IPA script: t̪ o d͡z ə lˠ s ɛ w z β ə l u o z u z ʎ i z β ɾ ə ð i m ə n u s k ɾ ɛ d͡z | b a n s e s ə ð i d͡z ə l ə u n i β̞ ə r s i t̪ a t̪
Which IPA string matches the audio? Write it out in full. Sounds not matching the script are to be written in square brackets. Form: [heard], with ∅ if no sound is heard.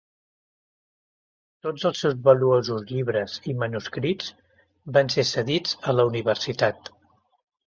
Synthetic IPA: t̪ o d͡z ə lˠ s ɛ w z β ə l u o z u z ʎ i [∅] β ɾ ə [z] i m ə n u s k ɾ [i] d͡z | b a n s e s ə ð i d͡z ə l ə u n i β̞ ə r s i t̪ a t̪